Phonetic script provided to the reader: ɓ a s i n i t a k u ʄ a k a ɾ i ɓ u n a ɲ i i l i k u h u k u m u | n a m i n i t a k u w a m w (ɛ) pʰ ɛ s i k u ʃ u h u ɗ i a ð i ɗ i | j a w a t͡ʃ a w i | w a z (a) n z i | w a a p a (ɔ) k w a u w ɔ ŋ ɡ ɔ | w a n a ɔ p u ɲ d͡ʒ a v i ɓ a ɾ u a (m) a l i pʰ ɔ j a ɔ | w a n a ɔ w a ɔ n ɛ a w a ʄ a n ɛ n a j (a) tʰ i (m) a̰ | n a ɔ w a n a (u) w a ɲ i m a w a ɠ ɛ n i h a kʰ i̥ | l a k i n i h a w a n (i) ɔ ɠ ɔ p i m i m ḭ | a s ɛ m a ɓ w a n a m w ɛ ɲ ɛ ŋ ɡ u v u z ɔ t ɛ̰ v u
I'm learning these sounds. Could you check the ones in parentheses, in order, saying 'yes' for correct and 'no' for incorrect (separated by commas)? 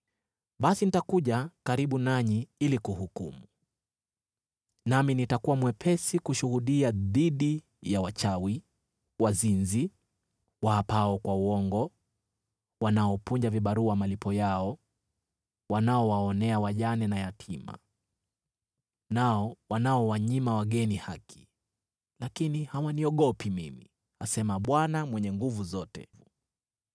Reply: yes, no, yes, yes, yes, yes, no, yes